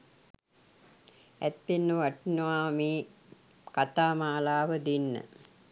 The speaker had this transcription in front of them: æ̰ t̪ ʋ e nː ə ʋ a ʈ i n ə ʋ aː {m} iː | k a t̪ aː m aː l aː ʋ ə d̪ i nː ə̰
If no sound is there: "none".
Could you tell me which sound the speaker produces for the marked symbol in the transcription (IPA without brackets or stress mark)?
m